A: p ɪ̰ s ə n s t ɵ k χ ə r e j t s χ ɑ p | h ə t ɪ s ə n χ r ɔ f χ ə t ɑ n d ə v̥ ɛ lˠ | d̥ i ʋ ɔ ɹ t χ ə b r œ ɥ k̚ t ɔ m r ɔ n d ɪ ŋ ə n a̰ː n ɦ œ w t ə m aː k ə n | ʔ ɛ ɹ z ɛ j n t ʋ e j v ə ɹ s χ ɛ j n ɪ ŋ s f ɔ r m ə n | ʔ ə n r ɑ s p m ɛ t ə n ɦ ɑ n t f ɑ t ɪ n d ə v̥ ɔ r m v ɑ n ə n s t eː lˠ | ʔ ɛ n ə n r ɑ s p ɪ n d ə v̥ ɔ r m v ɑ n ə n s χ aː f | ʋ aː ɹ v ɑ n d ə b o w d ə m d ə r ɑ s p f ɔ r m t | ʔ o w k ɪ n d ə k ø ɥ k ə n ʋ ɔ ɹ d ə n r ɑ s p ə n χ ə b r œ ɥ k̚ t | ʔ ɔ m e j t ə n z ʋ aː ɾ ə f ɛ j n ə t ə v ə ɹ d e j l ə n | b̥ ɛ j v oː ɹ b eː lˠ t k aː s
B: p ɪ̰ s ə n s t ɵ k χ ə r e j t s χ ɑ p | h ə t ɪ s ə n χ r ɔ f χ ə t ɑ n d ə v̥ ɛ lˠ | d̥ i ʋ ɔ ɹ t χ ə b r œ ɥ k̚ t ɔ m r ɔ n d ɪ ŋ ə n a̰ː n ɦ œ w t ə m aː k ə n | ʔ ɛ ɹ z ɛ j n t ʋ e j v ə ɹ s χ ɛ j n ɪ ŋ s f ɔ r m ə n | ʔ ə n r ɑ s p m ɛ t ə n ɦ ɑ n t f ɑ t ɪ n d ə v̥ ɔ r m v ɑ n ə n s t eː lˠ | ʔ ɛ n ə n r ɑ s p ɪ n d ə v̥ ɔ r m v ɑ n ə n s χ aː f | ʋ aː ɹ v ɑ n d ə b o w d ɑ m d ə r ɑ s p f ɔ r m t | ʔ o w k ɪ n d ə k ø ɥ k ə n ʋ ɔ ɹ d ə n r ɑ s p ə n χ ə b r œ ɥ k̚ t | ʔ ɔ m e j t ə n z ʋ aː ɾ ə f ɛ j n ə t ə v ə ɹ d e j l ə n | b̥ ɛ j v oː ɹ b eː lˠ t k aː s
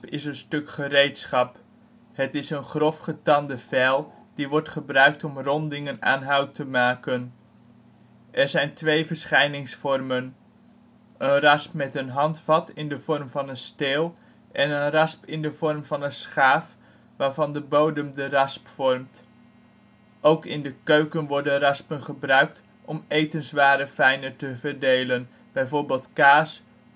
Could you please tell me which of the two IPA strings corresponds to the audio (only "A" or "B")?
A